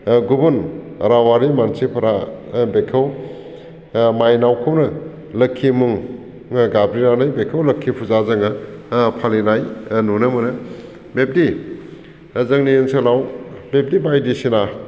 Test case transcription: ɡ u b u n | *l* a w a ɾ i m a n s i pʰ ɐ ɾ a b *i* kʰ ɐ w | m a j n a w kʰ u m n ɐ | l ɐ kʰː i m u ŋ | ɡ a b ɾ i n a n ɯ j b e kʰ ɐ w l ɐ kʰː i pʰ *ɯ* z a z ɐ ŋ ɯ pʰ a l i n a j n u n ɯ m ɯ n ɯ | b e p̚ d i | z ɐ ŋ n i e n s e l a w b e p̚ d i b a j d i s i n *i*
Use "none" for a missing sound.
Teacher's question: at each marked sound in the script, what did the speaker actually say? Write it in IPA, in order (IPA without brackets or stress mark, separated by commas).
ɾ, e, u, a